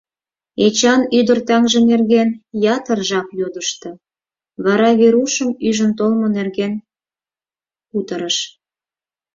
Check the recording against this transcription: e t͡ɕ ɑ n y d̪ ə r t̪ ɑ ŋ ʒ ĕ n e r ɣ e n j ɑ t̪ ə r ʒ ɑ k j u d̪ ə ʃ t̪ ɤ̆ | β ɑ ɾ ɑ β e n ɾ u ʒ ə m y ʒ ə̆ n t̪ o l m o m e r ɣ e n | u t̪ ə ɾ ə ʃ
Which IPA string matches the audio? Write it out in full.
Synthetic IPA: e t͡ɕ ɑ n y d̪ ə r t̪ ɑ ŋ ʒ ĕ n e r ɣ e n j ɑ t̪ ə r ʒ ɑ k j o d̪ ə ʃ t̪ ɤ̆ | β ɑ ɾ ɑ β e ɾ u ʃ ə m y ʒ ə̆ n t̪ o l m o n e r ɣ e n | u t̪ ə ɾ ə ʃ